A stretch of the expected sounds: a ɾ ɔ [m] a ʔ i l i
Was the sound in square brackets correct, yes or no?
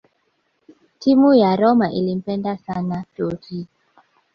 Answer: yes